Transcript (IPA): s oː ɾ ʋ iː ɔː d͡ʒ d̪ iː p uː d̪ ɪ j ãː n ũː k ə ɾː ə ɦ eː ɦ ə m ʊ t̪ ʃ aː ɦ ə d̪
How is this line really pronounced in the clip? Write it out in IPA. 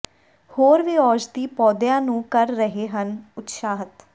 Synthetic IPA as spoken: h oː ɾ ʋ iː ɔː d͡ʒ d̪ iː p ɔː d̪ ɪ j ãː n ũː k ə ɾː ə ɦ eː ɦ ə n ʊ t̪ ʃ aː ɦ ə t̪